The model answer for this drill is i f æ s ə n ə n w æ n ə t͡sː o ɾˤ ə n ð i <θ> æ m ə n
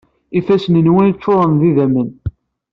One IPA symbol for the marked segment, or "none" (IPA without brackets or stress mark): ð